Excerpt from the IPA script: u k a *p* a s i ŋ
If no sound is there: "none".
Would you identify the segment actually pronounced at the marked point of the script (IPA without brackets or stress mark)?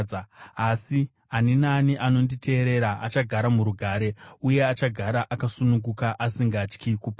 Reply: ʔ